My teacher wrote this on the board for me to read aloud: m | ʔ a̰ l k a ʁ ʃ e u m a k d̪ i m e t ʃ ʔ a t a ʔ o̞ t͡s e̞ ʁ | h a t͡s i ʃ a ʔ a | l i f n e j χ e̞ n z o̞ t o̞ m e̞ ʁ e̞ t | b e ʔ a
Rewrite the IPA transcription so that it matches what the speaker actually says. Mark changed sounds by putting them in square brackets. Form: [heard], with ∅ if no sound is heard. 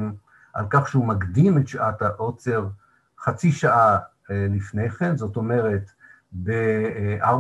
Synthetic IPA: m | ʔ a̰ l k a [χ] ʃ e u m a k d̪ i m e t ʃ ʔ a t a ʔ o̞ t͡s e̞ ʁ | [χ] a t͡s i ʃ a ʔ a | l i f n e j χ e̞ n z o̞ t o̞ m e̞ ʁ e̞ t | b e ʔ a